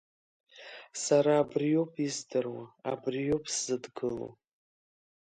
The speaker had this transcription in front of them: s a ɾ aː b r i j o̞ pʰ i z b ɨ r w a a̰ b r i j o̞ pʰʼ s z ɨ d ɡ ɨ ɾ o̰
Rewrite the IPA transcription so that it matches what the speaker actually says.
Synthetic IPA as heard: s a ɾ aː b r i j o̞ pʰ i z d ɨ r w a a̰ b r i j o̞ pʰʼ s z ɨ d ɡ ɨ l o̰

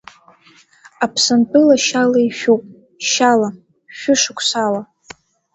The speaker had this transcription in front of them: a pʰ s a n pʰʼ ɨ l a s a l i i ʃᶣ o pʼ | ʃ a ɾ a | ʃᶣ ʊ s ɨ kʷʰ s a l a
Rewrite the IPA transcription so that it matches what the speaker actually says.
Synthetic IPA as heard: a pʰ s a n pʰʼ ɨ l a ʃ a l a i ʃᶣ u pʼ | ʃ a l a | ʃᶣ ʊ ʂ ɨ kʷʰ s a l a

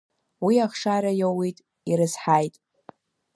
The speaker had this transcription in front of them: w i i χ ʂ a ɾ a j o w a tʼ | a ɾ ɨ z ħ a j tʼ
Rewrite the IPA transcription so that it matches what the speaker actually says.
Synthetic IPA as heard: w i a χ ʂ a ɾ a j o w i tʼ | i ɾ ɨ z ħ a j tʼ

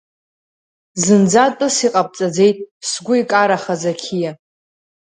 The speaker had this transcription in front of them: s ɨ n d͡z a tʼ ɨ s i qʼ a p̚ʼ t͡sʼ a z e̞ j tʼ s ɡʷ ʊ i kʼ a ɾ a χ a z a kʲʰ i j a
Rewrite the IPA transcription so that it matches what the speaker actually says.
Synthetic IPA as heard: z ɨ n d͡z a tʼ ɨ s i qʼ a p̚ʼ t͡sʼ a d͡z e̞ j tʼ s ɡʷ ʊ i kʼ a ɾ a χ a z a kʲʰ i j a

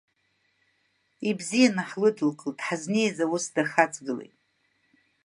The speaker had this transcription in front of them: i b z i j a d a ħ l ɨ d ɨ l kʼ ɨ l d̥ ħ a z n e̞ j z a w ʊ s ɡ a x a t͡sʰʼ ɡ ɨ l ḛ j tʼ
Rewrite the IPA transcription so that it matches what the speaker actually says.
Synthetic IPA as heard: i b z i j a n a ħ l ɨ d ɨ l kʼ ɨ l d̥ ħ a z n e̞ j z a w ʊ s d a χ a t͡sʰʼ ɡ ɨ l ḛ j tʼ

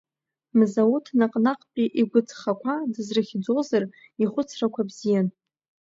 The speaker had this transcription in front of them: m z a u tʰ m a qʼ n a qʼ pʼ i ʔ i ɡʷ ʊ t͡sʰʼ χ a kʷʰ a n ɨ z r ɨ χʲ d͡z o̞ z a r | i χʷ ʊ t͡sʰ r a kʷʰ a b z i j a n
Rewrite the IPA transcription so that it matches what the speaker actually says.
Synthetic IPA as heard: m z a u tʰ n a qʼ n a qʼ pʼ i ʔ i ɡʷ ʊ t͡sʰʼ χ a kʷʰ a d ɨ z r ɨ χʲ d͡z o̞ z a r | i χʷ ʊ t͡sʰ r a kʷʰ a b z i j a n

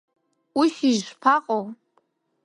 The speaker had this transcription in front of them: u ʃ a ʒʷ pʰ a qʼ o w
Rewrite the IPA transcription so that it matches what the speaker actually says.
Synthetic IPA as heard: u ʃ i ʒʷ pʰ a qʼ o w

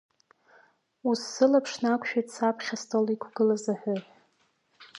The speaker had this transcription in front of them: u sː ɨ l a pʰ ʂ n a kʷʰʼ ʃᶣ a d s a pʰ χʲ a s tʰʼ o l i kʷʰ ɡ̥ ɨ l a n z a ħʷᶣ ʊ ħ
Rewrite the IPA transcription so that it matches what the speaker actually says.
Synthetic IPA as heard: u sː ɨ l a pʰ ʂ n a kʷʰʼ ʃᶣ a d s a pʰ χʲ a s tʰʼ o l i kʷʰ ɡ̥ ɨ l a z a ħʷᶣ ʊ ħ

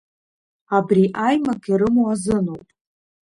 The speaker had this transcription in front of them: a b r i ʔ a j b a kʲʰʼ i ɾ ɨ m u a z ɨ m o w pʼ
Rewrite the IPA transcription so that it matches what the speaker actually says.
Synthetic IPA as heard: a b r i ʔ a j m a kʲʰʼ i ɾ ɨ m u a z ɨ n o w pʼ

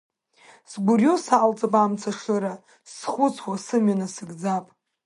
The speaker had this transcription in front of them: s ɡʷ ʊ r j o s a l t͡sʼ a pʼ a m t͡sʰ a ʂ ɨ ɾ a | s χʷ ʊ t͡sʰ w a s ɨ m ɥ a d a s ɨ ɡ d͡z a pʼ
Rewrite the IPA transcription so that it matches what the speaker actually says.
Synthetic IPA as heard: s ɡʷ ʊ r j o s a l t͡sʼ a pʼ a m t͡sʰ a ʂ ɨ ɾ a | s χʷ ʊ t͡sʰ w a s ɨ m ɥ a n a s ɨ ɡ d͡z a pʼ

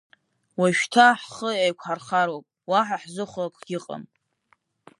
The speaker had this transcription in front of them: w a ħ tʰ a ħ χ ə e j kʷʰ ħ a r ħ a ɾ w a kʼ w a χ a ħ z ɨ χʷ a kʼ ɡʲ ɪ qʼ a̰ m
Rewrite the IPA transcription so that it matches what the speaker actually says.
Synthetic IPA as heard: w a ʃ tʰ a ħ χ ə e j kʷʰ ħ a r χ a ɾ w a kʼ w a ħ a ħ z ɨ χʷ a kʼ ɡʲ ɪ qʼ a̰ m

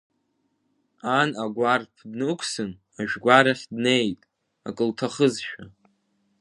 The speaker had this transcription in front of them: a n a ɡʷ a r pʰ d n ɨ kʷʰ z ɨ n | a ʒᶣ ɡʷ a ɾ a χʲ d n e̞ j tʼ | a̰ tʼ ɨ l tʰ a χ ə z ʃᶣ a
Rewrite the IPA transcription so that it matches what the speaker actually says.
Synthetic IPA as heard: a n a ɡʷ a r pʰ d n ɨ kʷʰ s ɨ n | a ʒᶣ ɡʷ a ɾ a χʲ d n e̞ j tʼ | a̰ kʼ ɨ l tʰ a χ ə z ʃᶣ a

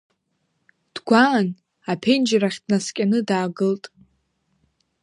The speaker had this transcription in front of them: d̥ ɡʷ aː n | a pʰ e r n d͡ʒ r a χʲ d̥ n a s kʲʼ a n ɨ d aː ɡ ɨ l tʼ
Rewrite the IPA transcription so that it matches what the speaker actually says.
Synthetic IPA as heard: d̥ ɡʷ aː n | a pʰ e n d͡ʒ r a χʲ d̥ n a s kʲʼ a n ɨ d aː ɡ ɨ l tʼ

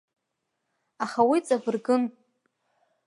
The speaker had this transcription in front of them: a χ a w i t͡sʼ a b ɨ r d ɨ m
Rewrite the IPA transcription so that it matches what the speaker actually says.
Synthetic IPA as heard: a χ a w i t͡sʼ a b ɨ r ɡ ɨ n

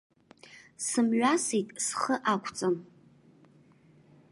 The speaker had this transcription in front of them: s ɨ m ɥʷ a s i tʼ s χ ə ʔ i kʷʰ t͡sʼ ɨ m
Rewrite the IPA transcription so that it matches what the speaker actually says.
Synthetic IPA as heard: s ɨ m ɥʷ a s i tʼ s χ ə ʔ a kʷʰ t͡sʼ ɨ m

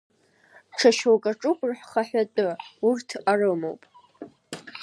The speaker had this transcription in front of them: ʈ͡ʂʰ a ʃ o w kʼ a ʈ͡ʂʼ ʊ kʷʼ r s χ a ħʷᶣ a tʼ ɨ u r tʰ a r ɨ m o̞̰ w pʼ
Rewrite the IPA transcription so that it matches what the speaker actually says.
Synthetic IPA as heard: ʈ͡ʂʰ a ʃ o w kʼ a ʈ͡ʂʼ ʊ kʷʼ r ħ χ a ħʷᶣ a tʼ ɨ u r tʰ a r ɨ m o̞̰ w pʼ

